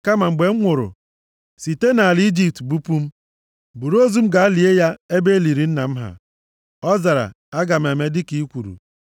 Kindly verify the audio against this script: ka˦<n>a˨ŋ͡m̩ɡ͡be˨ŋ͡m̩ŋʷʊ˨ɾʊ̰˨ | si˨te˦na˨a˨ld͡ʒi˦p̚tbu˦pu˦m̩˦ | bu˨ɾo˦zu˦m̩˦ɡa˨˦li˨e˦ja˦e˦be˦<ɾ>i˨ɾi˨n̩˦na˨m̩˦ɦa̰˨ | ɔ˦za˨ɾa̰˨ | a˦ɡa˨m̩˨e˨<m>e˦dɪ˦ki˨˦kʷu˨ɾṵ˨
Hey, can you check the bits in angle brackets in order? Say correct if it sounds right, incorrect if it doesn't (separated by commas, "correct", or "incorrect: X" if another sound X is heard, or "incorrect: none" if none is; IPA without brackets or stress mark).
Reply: incorrect: m, incorrect: l, correct